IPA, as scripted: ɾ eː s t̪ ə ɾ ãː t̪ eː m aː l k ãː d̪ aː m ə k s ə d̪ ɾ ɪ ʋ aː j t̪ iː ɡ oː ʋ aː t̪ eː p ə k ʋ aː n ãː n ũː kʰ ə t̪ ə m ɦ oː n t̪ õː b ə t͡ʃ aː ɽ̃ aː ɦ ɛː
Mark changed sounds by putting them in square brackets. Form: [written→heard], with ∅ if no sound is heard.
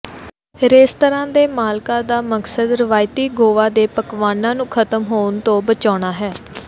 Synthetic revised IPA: ɾ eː s t̪ ə ɾ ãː [t̪→d̪] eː m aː l k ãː d̪ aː m ə k s ə d̪ ɾ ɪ ʋ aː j t̪ iː ɡ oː ʋ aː [t̪→d̪] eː p ə k ʋ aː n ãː n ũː kʰ ə t̪ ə m ɦ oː n t̪ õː b ə t͡ʃ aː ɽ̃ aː ɦ ɛː